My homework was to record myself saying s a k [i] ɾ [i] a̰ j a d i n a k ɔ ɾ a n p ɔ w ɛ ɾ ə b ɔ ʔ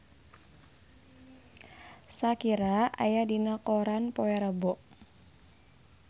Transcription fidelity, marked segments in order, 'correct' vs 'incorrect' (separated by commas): correct, incorrect